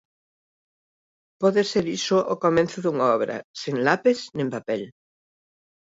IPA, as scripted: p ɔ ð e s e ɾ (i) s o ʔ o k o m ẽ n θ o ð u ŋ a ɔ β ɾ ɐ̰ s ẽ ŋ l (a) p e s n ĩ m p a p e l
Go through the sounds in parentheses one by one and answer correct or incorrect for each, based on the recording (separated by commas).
correct, correct